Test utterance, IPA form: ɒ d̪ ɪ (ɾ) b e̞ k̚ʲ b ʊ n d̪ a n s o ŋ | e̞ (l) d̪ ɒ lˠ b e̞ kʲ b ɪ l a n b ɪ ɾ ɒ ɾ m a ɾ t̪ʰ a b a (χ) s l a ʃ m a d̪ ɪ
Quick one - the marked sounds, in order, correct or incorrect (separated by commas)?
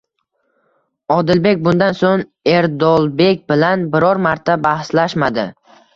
incorrect, incorrect, incorrect